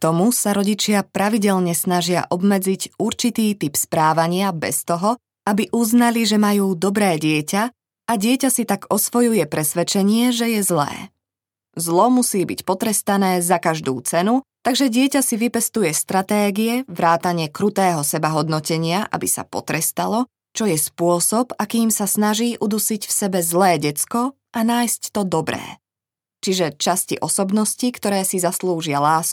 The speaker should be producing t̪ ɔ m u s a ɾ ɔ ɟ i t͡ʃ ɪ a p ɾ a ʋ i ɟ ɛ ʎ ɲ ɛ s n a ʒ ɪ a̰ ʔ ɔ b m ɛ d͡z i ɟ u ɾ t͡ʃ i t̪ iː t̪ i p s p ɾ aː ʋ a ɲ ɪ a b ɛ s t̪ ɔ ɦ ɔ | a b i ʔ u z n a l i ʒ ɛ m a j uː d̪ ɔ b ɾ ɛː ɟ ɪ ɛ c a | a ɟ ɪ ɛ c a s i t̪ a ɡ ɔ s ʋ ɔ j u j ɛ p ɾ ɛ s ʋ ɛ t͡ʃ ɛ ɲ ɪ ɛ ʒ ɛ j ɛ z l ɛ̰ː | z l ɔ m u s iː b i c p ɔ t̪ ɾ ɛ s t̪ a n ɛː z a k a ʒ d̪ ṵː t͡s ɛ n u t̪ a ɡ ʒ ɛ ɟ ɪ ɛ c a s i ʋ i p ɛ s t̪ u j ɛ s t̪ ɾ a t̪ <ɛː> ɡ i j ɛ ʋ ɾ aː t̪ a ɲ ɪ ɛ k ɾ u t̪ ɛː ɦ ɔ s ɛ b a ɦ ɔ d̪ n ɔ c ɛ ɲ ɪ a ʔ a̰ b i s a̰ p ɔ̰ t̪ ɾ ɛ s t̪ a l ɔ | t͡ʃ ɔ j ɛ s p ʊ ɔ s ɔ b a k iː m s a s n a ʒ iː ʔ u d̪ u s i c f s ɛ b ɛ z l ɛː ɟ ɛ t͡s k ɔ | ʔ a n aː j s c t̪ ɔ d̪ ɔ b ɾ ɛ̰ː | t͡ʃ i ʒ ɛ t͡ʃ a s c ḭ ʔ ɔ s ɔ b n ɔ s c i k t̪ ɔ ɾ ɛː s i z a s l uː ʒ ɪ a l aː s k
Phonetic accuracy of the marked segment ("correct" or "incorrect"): correct